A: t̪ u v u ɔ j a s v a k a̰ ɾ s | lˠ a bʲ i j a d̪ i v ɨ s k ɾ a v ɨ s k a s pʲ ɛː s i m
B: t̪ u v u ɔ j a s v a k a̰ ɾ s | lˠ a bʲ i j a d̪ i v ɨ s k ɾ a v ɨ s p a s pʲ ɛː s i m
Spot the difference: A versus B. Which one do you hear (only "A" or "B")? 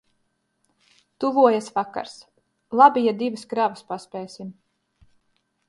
B